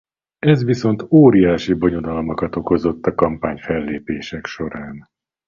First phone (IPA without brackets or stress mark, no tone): ɛ